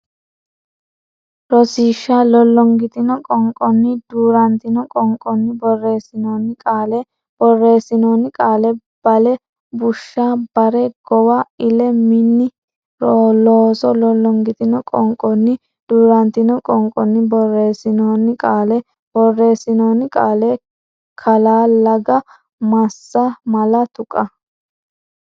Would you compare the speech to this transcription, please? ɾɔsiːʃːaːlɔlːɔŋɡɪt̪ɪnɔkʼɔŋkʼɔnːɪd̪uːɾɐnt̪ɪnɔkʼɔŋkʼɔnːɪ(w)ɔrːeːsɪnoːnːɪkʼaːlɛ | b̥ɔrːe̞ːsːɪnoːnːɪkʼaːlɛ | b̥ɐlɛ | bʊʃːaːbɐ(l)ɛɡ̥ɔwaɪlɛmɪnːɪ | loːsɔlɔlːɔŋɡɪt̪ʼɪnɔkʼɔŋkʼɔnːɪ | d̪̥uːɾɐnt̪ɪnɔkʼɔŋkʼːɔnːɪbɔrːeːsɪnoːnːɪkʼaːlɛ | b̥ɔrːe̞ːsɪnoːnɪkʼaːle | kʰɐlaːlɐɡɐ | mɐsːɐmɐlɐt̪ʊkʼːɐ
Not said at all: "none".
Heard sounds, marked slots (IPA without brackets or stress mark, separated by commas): b, ɾ